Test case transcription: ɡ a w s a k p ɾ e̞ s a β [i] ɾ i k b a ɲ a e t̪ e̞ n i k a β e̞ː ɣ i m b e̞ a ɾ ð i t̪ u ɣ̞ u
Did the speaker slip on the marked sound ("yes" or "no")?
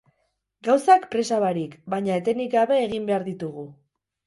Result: yes